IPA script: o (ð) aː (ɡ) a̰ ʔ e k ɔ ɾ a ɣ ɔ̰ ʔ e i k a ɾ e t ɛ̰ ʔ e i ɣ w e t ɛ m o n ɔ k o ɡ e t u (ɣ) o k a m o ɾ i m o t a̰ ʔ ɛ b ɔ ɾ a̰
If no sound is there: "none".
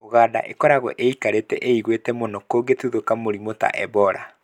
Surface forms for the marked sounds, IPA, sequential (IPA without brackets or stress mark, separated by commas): ɣ, d, ð